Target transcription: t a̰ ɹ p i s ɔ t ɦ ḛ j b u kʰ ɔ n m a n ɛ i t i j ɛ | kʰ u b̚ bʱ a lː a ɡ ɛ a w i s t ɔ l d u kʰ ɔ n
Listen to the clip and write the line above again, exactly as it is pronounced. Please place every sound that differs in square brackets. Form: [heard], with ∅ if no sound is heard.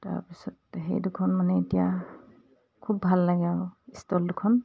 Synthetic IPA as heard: t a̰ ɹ p i s ɔ t ɦ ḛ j [d] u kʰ ɔ n m a n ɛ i t i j [a] | kʰ u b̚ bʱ a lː a ɡ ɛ a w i s t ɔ l d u kʰ ɔ n